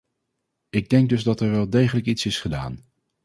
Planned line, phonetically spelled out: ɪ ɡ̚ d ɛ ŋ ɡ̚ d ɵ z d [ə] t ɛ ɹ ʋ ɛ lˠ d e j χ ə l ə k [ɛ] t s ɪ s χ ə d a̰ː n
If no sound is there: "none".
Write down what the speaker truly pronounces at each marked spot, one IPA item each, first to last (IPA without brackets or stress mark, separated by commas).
ɑ, i